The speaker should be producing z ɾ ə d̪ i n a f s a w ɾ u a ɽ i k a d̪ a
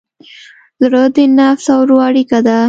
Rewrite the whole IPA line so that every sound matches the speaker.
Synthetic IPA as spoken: z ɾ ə d̪ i n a f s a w ɾ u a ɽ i k a d̪ a